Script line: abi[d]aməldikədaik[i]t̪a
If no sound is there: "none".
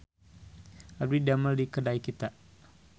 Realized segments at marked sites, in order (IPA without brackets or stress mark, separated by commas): d, i